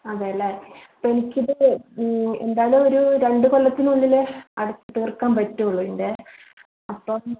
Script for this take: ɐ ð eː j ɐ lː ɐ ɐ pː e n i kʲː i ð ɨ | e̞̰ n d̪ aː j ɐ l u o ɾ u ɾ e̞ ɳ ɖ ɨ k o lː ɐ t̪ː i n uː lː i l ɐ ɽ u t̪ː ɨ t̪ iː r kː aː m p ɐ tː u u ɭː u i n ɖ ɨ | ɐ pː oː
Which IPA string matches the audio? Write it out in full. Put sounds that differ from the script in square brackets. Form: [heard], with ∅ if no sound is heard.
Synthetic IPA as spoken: ɐ ð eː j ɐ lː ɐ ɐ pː e n i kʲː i ð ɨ | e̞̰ n d̪ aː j ɐ l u o ɾ u ɾ e̞ ɳ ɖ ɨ k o lː ɐ t̪ː i n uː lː i l ɐ ɽ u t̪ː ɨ t̪ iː r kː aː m p ɐ tː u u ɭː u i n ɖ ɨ | ɐ pː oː